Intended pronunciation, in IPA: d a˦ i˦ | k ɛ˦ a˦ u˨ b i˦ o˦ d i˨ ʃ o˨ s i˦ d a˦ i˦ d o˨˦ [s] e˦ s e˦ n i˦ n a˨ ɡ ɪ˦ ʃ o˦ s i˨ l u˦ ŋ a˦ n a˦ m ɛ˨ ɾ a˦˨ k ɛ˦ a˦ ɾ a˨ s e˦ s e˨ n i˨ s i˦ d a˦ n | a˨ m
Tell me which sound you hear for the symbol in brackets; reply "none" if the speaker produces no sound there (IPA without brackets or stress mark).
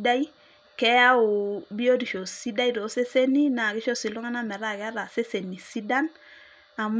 s